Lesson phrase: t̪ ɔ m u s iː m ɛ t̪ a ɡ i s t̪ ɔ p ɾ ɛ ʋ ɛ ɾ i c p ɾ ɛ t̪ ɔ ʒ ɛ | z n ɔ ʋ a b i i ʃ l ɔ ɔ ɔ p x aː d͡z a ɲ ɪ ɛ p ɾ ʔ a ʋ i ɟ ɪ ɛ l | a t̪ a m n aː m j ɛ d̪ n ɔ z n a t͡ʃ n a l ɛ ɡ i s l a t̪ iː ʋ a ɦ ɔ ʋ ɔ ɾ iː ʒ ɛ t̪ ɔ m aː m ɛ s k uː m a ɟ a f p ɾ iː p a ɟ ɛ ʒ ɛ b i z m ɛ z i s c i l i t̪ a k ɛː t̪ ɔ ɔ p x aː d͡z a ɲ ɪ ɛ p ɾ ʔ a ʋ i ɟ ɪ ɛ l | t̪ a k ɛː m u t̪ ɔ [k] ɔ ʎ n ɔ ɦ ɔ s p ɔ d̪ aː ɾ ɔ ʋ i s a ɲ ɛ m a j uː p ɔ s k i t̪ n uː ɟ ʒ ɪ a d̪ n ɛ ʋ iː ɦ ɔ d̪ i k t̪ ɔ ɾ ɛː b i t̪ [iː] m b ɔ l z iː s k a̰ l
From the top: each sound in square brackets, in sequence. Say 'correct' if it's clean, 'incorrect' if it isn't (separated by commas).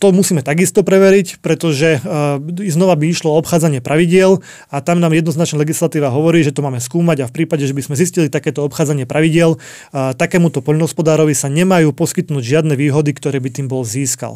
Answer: incorrect, correct